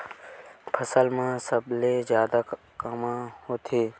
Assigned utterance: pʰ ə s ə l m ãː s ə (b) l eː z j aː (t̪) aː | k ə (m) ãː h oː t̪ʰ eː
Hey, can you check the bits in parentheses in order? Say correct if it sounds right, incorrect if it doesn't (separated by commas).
correct, incorrect, correct